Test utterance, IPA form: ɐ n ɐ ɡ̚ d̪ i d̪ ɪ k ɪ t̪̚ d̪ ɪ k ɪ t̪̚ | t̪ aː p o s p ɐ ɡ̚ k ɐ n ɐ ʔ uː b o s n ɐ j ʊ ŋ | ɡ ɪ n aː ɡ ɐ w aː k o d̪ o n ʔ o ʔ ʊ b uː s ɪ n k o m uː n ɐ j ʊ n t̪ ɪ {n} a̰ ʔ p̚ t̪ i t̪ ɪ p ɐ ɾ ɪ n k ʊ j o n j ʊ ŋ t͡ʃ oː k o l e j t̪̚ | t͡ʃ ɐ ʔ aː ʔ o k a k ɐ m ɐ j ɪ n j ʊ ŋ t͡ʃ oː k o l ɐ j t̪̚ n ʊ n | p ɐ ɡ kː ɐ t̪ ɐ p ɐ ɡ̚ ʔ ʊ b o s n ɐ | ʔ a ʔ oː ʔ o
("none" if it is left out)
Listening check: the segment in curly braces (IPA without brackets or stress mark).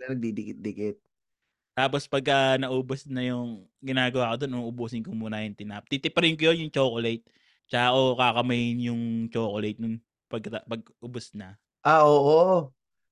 n